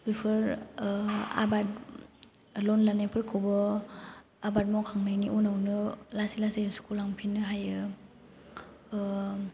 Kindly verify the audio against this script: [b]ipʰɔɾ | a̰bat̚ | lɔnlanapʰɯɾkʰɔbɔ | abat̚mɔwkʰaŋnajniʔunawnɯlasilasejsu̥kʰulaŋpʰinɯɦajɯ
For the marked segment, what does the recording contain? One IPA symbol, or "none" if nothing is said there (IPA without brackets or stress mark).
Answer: b